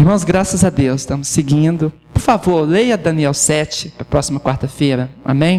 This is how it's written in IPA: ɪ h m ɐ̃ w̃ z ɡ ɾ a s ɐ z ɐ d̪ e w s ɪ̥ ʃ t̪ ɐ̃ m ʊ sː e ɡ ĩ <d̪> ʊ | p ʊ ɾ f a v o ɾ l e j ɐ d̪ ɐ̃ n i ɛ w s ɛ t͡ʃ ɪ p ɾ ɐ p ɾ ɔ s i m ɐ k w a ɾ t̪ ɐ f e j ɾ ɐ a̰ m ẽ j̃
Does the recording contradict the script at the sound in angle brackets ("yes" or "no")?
no